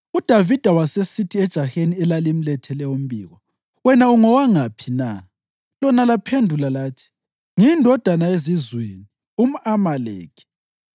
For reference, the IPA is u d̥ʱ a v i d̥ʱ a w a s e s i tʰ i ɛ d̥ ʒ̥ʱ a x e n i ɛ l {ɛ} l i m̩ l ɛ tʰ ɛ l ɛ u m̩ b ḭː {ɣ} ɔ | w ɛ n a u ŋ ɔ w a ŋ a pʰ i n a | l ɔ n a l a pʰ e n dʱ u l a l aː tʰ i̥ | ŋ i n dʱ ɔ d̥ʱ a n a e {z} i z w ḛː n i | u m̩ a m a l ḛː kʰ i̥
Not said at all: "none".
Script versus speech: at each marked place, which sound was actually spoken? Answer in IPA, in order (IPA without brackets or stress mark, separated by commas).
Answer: a, ɣ, z